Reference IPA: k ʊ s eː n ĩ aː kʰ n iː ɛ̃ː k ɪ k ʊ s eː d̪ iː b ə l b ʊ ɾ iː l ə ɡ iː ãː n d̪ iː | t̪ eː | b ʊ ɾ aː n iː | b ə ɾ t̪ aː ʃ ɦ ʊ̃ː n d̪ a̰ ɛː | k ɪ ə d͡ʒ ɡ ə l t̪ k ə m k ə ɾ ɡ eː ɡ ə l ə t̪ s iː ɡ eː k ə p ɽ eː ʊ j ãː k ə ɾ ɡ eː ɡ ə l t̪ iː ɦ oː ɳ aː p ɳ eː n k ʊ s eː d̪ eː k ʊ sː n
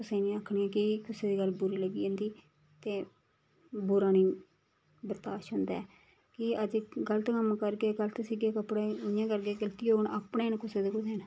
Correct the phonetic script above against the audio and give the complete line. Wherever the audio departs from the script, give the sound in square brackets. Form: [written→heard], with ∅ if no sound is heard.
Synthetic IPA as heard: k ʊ s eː n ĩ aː kʰ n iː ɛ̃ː k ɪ k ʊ s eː d̪ iː [b→ɡ] ə l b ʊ ɾ iː l ə ɡ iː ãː n d̪ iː | t̪ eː | b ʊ ɾ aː n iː | b ə ɾ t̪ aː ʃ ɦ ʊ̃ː n d̪ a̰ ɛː | k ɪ ə d͡ʒ ɡ ə l t̪ k ə m k ə ɾ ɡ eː ɡ ə l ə t̪ s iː ɡ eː k ə p ɽ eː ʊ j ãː k ə ɾ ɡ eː ɡ ə l t̪ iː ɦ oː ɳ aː p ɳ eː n k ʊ s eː d̪ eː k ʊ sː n